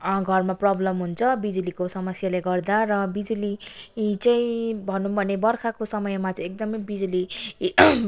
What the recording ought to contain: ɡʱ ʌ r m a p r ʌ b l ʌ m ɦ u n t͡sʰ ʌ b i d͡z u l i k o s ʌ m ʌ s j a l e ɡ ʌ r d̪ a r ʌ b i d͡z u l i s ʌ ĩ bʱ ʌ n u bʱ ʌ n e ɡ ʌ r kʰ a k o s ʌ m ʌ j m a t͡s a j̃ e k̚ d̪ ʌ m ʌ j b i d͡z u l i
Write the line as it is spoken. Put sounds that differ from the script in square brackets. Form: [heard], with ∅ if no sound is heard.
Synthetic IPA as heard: ɡʱ ʌ r m a p r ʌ b l ʌ m ɦ u n t͡sʰ ʌ b i d͡z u l i k o s ʌ m ʌ s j a l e ɡ ʌ r d̪ a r ʌ b i d͡z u l i [t͡s] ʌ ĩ bʱ ʌ n u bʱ ʌ n e [b] ʌ r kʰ a k o s ʌ m ʌ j m a t͡s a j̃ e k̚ d̪ ʌ m ʌ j b i d͡z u l i

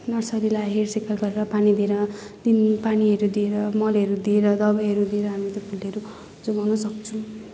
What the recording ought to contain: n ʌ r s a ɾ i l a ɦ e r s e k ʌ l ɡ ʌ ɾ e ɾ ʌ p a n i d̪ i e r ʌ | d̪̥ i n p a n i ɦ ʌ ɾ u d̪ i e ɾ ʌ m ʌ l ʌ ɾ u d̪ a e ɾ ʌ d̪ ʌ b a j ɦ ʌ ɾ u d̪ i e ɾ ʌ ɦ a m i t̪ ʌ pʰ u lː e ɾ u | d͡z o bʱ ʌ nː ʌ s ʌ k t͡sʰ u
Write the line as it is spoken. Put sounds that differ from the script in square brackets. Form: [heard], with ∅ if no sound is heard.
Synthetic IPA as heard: n ʌ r s [ʌ] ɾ i l a ɦ e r s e k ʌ l ɡ ʌ ɾ e ɾ ʌ p a n i d̪ i e [ɾ] ʌ | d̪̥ i n p a n i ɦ ʌ ɾ u d̪ i e ɾ ʌ m ʌ l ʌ ɾ u d̪ [i] e ɾ ʌ d̪ ʌ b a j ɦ ʌ ɾ u d̪ i e ɾ ʌ ɦ a m i t̪ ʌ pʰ u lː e ɾ u | d͡z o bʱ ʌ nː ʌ s ʌ k t͡sʰ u

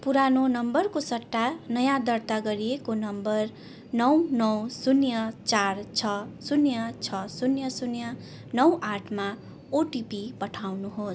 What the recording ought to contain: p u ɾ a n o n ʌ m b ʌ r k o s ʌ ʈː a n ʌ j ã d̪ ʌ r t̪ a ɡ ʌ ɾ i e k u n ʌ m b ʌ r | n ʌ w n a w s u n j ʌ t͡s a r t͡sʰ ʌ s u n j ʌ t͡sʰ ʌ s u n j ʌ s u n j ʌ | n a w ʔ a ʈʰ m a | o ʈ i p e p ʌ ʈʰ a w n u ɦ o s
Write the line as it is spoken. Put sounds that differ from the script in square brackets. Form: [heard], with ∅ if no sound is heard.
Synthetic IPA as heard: p u ɾ a n o n ʌ m b ʌ r k o s ʌ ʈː a n ʌ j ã d̪ ʌ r t̪ a ɡ ʌ ɾ i e k [o] n ʌ m b ʌ r | n ʌ w n [ʌ] w s u n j ʌ t͡s a r t͡sʰ ʌ s u n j ʌ t͡sʰ ʌ s u n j ʌ s u n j ʌ | n [ʌ] w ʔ a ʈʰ m a | o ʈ i p [i] p ʌ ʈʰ a w n u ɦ o s

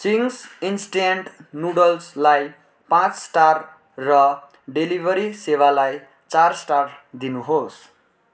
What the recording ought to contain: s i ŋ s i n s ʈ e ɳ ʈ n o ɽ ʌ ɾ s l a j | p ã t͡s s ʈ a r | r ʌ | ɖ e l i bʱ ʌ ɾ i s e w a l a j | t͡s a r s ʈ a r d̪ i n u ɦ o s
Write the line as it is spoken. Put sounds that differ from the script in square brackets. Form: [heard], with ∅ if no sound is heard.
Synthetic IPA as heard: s i ŋ s i n s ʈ e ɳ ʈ n [u] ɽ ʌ [l] s l a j | p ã t͡s s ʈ a r | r ʌ | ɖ e l i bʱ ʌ ɾ i s e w a l a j | t͡s a r s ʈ a r d̪ i n u ɦ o s

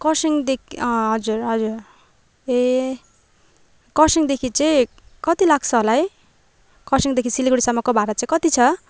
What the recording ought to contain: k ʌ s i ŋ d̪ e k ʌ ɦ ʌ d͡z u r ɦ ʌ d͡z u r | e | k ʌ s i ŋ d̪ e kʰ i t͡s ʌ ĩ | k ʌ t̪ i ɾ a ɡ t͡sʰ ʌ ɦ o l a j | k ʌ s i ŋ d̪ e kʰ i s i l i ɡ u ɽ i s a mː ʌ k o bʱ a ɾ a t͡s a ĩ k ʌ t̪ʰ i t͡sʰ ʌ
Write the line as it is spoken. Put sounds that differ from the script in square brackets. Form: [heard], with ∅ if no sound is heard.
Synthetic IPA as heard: k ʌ s i ŋ d̪ e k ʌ ɦ ʌ d͡z u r ɦ ʌ d͡z u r | e | k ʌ s i ŋ d̪ e kʰ i t͡s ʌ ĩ | k ʌ t̪ i [l] a ɡ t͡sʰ ʌ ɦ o l a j | k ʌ s i ŋ d̪ e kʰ i s i l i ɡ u ɽ i s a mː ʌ k o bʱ a ɾ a t͡s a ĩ k ʌ [t̪] i t͡sʰ ʌ

